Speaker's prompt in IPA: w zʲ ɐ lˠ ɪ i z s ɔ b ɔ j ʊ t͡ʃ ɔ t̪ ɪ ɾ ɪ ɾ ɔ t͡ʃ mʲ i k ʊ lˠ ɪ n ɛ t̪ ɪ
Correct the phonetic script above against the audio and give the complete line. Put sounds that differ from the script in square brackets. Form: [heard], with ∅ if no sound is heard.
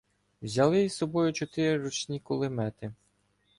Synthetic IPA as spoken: w zʲ ɐ lˠ ɪ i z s ɔ b ɔ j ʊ t͡ʃ ɔ t̪ ɪ ɾ ɪ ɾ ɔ t͡ʃ [nʲ] i k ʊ lˠ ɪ [m] ɛ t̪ ɪ